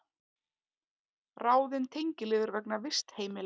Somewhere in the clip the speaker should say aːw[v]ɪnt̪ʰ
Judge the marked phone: incorrect: ð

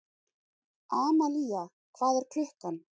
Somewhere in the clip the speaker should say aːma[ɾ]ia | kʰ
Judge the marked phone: incorrect: l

